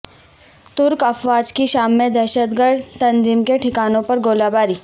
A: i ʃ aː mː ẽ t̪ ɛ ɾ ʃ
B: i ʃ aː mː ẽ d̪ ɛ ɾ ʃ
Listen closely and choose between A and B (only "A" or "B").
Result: B